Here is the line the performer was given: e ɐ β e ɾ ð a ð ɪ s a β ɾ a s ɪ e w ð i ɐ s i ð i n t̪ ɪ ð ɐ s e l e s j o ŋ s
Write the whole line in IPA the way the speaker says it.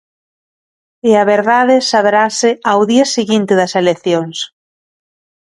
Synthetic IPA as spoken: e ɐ β e ɾ ð a ð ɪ s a β ɾ a s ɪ a w ð i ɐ s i ɣ i n t̪ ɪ ð ɐ s e l e θ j o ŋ s